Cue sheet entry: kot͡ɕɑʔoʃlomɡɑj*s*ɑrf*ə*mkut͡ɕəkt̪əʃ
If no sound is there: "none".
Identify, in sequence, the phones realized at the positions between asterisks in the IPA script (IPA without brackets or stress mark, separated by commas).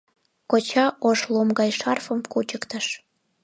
ʃ, ə